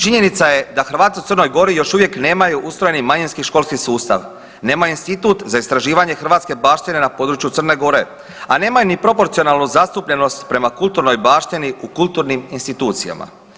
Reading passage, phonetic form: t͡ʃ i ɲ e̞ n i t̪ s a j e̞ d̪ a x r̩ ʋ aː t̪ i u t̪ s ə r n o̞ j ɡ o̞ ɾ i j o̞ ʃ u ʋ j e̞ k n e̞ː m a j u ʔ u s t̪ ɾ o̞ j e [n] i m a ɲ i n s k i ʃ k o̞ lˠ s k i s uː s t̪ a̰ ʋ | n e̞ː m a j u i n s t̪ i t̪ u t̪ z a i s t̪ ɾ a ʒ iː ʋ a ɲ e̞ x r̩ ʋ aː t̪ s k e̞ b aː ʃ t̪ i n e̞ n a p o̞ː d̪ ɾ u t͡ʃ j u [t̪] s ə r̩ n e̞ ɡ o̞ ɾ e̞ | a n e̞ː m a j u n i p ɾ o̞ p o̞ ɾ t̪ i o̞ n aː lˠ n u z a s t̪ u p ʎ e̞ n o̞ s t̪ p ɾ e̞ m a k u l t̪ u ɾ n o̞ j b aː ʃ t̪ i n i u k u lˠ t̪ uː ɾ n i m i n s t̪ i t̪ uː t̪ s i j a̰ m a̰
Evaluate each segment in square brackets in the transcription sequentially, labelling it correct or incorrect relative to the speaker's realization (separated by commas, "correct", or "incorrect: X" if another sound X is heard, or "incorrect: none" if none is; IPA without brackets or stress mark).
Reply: correct, correct